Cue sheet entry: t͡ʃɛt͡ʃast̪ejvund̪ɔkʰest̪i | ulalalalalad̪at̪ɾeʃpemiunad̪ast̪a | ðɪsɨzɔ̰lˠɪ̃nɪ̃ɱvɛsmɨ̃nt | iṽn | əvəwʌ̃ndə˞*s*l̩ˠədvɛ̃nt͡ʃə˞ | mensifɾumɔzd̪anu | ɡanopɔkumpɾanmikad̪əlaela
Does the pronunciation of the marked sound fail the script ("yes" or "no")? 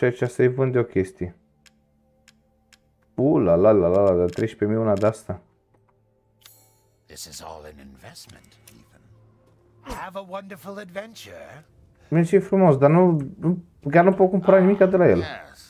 yes